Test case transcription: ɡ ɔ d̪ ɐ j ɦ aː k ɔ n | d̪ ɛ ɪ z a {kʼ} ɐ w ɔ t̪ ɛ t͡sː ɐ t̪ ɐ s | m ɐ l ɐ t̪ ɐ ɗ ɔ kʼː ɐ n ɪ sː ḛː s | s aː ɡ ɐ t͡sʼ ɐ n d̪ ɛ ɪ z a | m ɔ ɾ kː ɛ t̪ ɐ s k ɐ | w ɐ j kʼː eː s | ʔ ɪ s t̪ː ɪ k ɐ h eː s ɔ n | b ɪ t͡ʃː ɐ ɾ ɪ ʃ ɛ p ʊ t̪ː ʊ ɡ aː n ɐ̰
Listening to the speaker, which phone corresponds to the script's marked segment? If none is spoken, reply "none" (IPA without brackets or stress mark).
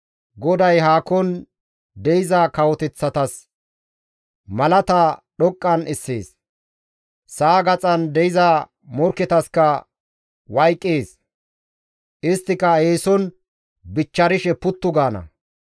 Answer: k